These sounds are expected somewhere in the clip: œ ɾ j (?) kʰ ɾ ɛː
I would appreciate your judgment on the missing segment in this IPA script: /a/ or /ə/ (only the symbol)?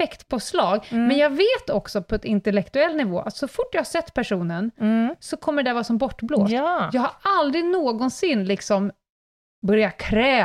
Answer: a